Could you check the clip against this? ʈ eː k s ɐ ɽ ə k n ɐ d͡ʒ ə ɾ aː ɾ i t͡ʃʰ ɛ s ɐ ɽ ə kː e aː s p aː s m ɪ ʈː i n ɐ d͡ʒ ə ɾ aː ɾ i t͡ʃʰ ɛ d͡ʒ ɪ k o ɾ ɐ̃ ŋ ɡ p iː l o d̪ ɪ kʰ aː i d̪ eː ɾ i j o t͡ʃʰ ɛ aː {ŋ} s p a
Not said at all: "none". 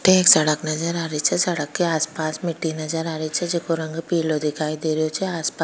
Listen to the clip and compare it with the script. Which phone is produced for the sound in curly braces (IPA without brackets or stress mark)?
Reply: none